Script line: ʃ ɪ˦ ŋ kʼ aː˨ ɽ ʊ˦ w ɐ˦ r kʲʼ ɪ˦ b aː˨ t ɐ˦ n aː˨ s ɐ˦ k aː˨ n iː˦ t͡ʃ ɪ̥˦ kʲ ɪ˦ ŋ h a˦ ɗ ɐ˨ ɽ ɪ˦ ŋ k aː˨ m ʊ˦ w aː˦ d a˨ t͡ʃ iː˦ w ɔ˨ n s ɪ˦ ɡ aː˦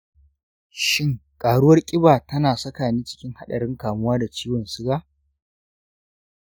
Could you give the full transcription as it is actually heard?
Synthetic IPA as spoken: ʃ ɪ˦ ŋ kʼ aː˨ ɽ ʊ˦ w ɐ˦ r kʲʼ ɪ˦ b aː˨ t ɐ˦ n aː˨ s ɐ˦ k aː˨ n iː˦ t͡ʃ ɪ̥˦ kʲ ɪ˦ ŋ h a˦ ɗ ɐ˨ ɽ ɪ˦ ŋ k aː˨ m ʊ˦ w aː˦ d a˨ t͡ʃ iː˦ w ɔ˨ n s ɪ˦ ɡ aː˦

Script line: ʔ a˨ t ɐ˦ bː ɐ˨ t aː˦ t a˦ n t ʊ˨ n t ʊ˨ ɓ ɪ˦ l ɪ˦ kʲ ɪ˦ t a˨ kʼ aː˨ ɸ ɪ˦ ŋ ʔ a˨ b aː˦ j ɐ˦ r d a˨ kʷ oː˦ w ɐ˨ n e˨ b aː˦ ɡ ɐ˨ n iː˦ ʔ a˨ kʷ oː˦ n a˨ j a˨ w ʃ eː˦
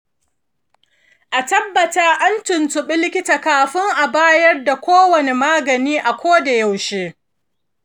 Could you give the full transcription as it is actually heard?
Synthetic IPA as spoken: ʔ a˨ t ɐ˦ bː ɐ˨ t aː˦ ʔ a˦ n t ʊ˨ n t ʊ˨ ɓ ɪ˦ l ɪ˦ kʲ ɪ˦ t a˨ k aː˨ ɸ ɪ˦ ŋ ʔ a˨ b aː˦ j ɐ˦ r d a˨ kʷ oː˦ w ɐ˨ n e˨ m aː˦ ɡ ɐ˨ n iː˦ ʔ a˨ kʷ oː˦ d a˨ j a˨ w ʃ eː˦

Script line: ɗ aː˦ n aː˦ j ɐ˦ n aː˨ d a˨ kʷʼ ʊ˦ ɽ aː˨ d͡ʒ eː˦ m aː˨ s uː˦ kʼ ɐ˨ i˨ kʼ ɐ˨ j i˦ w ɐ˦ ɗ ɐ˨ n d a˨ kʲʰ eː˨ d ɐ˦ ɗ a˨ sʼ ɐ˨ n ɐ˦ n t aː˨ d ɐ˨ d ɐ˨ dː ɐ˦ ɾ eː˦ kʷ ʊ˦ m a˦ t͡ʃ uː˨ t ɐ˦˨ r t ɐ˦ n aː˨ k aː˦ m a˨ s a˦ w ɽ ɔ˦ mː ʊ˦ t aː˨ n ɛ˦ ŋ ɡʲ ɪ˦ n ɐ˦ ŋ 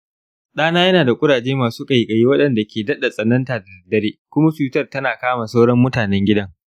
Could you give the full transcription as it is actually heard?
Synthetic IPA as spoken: ɗ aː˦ n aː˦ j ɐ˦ n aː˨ d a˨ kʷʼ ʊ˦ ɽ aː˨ d͡ʒ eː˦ m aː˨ s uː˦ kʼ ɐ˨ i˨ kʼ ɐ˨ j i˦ w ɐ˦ ɗ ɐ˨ n d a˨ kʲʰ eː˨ d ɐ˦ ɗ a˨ sʼ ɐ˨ n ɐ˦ n t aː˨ d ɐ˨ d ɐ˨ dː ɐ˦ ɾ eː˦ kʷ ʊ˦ m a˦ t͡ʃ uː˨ t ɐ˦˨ r t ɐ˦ n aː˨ k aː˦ m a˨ s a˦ w ɽ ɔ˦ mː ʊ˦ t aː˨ n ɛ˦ ŋ ɡʲ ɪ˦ d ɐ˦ ŋ

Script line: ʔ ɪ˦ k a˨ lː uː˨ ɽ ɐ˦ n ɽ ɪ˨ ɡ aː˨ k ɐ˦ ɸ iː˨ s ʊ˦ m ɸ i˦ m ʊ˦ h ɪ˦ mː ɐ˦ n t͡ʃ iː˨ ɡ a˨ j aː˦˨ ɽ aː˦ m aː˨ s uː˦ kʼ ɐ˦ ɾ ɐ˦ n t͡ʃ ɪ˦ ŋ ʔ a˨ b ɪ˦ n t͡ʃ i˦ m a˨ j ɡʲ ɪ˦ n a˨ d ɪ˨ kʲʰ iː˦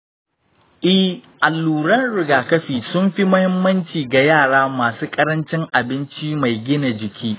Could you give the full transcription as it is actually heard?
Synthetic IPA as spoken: ʔ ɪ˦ ʔ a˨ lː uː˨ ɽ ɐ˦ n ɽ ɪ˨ ɡ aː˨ k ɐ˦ ɸ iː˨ s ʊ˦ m ɸ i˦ m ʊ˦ h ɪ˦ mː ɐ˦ n t͡ʃ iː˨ ɡ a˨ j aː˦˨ ɽ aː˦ m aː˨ s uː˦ kʼ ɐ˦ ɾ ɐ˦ n t͡ʃ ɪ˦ ŋ ʔ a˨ b ɪ˦ n t͡ʃ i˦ m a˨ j ɡʲ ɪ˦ n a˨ d͡ʒ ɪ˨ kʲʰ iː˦

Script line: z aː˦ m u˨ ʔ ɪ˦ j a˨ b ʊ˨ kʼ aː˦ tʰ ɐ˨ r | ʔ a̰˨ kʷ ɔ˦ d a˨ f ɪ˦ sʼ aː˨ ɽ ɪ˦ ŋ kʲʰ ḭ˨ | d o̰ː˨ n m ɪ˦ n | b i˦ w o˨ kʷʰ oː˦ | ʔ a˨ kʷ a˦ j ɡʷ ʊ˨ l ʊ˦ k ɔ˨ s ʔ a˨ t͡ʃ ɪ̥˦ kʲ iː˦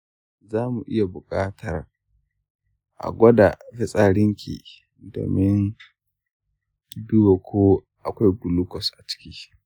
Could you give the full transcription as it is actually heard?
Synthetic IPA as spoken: z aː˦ m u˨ ʔ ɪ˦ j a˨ b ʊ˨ kʼ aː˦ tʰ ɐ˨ r | ʔ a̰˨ ɡʷ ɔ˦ d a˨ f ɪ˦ sʼ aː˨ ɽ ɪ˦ ŋ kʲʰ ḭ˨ | d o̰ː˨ m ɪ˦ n | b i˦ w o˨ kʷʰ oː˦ | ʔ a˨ kʷ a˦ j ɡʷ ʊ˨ l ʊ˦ k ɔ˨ s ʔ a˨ t͡ʃ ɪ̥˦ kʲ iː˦

